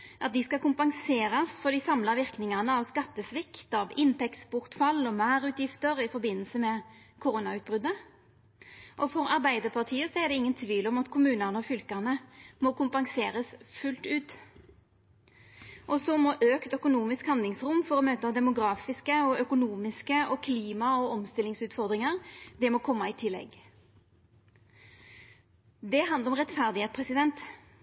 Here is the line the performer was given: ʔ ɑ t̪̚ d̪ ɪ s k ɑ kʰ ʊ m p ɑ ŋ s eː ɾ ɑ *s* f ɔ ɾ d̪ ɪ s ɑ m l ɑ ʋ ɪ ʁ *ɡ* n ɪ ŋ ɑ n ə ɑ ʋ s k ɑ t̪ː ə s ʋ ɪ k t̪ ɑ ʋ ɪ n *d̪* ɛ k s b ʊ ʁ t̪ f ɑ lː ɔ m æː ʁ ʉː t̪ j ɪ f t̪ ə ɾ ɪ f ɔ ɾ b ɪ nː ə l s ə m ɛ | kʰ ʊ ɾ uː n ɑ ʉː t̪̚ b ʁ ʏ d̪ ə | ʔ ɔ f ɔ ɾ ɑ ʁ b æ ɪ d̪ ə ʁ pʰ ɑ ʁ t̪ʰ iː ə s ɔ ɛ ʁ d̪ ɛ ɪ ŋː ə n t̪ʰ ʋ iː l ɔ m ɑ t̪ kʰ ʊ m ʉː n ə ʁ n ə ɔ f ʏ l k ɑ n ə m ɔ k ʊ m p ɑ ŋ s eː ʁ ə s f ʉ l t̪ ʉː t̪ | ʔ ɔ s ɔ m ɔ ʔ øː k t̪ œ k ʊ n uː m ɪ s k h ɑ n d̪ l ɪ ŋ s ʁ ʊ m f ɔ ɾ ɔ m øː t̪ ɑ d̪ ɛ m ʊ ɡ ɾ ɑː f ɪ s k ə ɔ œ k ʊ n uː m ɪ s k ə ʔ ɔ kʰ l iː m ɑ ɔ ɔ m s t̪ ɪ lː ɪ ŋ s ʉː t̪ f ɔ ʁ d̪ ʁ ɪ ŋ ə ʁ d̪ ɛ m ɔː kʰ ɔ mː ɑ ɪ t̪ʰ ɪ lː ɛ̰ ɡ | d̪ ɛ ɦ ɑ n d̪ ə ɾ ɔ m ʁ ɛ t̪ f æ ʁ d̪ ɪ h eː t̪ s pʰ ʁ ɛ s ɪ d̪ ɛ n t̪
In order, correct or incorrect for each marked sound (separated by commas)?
correct, incorrect, incorrect